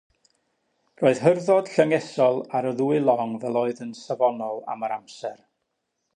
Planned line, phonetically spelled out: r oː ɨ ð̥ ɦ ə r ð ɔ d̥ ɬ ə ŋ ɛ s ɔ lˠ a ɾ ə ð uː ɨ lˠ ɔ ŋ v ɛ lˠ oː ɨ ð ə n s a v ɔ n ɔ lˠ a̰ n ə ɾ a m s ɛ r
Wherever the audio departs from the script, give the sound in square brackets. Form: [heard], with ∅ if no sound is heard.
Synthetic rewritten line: r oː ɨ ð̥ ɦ ə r ð ɔ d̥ ɬ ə ŋ ɛ s ɔ lˠ a ɾ ə ð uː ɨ lˠ ɔ ŋ v ɛ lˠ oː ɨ ð ə n s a v ɔ n ɔ lˠ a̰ [m] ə ɾ a m s ɛ r